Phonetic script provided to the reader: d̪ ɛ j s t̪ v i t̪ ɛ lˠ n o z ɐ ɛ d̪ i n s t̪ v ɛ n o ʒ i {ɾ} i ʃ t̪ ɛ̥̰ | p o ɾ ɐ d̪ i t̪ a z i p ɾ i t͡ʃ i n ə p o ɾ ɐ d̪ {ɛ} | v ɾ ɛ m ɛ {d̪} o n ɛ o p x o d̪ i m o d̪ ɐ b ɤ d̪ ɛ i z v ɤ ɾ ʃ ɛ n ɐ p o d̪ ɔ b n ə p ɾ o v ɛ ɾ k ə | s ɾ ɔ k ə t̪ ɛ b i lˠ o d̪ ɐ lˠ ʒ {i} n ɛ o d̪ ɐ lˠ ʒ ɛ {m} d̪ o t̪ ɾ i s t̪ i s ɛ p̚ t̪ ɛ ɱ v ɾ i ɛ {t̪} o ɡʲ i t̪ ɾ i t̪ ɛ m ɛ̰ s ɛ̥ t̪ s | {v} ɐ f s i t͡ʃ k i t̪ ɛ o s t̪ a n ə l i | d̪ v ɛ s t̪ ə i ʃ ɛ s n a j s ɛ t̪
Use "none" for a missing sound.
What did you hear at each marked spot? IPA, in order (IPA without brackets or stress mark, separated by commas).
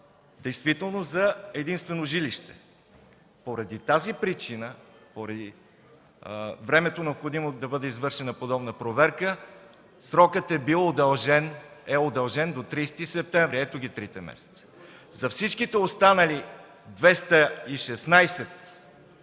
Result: l, i, t̪, ɛ, n, t̪, z